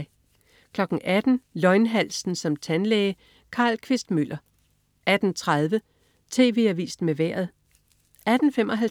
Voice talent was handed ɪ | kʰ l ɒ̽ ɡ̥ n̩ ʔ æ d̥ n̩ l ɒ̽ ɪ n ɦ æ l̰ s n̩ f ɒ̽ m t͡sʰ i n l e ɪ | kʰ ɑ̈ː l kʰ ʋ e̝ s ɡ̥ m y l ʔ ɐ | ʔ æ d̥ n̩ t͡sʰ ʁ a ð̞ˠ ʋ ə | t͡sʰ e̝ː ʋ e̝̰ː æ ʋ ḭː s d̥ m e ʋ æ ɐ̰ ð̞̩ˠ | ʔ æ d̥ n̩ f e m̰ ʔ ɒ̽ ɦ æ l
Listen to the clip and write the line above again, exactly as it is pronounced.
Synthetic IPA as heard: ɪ | kʰ l ɒ̽ ɡ̥ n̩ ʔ æ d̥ n̩ l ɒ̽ ɪ n ɦ æ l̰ s n̩ s ɒ̽ m t͡sʰ æ n l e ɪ | kʰ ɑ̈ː l kʰ ʋ e̝ s d̥ m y l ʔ ɐ | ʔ æ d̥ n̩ t͡sʰ ʁ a ð̞ˠ ʋ ə | t͡sʰ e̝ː ʋ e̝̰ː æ ʋ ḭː s d̥ m e ʋ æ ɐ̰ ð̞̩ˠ | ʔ æ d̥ n̩ f e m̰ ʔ ɒ̽ ɦ æ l